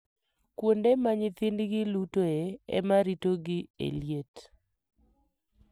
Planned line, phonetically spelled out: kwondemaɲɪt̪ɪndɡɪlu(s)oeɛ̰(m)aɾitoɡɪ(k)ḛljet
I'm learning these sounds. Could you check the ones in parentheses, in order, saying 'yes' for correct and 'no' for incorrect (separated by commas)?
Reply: no, yes, no